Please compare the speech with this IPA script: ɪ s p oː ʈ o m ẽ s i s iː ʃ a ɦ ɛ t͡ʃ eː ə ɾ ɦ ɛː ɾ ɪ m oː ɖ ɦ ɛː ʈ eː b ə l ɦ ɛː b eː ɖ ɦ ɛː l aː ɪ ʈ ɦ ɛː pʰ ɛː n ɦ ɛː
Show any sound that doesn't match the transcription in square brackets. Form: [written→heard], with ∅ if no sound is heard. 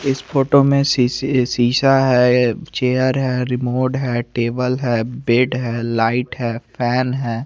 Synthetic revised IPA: ɪ s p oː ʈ o m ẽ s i s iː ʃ a ɦ ɛ t͡ʃ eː ə ɾ ɦ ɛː ɾ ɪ m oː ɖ ɦ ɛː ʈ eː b ə l ɦ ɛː b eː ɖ ɦ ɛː l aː ɪ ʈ ɦ ɛː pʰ ɛː n ɦ ɛː

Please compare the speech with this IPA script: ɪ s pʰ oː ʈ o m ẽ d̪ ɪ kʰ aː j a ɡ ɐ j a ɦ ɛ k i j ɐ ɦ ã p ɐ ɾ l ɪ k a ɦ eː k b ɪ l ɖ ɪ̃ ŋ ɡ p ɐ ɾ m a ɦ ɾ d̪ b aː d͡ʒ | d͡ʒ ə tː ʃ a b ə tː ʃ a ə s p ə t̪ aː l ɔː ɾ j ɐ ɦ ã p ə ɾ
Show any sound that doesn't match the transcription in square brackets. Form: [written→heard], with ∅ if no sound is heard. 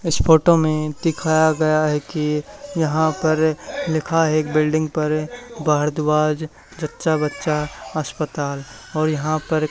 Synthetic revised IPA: ɪ s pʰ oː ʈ o m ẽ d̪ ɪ kʰ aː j a ɡ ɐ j a ɦ ɛ k i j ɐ ɦ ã p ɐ ɾ l ɪ [k→kʰ] a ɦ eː k b ɪ l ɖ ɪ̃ ŋ ɡ p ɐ ɾ [m→b] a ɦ ɾ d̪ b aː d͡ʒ | d͡ʒ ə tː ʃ a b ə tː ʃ a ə s p ə t̪ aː l ɔː ɾ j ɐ ɦ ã p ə ɾ

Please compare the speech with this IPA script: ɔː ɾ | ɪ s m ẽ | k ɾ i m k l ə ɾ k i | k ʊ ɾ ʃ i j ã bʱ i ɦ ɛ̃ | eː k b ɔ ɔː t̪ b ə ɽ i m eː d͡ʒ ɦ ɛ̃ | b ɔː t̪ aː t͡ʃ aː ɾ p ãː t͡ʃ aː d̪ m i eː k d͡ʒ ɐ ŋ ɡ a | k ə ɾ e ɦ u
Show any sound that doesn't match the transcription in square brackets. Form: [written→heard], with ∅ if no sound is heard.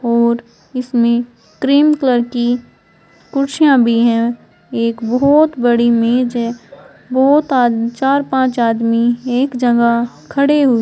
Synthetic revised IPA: ɔː ɾ | ɪ s m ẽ | k ɾ [i→iː] m k l ə ɾ k i | k ʊ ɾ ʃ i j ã bʱ i ɦ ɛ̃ | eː k b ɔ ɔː t̪ b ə ɽ i m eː d͡ʒ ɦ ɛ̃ | b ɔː t̪ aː t͡ʃ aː ɾ p ãː t͡ʃ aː d̪ m i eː k d͡ʒ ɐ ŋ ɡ a | [k→kʰ] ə [ɾ→ɽ] e ɦ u

